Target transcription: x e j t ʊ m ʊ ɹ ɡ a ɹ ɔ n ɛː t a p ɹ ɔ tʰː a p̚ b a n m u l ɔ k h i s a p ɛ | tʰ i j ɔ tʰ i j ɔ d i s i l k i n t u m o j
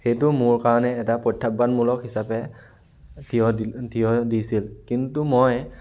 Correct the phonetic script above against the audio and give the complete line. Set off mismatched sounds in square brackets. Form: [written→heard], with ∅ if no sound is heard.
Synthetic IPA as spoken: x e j t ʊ m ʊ ɹ [ɡ→k] a ɹ ɔ n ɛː t a p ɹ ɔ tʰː a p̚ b a n m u l ɔ k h i s a p ɛ | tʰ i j ɔ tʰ i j ɔ d i s i l k i n t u m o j

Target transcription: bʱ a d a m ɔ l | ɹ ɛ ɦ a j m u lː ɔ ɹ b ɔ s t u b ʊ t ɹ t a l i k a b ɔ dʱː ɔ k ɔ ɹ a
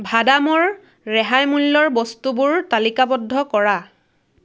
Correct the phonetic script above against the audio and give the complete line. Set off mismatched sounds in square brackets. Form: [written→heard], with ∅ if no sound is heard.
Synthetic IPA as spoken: bʱ a d a m ɔ [l→ɹ] | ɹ ɛ ɦ a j m u lː ɔ ɹ b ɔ s t u b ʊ [t→∅] ɹ t a l i k a b ɔ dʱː ɔ k ɔ ɹ a

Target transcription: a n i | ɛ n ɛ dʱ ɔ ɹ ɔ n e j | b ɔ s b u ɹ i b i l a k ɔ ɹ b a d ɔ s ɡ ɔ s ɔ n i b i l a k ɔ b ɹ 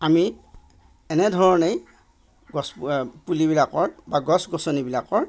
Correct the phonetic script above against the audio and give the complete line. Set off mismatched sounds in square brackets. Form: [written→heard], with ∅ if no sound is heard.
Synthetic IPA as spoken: a [n→m] i | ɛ n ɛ dʱ ɔ ɹ ɔ n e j | [b→ɡ] ɔ s [b→p] u [ɹ→l] i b i l a k ɔ ɹ b a [d→ɡ] ɔ s ɡ ɔ s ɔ n i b i l a k ɔ [b→∅] ɹ

